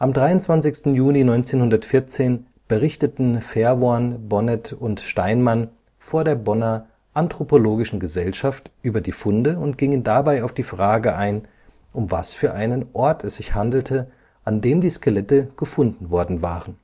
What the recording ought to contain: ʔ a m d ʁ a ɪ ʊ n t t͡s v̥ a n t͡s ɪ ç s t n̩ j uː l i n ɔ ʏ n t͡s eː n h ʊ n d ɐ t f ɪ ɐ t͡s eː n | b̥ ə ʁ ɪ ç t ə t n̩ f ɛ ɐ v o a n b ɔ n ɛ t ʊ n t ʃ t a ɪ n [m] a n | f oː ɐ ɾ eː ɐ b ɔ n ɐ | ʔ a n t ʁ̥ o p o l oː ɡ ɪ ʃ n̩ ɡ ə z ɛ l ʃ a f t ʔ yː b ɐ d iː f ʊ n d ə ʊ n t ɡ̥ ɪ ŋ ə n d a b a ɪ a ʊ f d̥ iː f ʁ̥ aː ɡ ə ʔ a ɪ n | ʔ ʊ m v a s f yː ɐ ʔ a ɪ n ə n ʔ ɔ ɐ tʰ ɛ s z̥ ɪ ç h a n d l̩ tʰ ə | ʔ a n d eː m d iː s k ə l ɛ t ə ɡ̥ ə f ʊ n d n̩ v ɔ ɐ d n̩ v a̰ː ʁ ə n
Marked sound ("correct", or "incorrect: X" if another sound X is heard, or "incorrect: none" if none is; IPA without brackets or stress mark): correct